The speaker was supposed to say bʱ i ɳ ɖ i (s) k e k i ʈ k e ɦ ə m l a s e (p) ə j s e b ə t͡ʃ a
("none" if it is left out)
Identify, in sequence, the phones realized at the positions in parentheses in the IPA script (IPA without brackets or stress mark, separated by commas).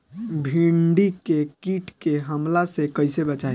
none, k